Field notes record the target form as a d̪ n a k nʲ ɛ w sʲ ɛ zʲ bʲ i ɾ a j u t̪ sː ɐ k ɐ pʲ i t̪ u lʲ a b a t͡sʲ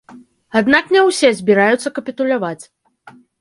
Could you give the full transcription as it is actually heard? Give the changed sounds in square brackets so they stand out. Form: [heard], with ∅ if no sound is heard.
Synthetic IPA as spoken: a d̪ n a k nʲ ɛ w sʲ ɛ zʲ bʲ i ɾ a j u t̪ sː ɐ k ɐ pʲ i t̪ u lʲ a [v] a t͡sʲ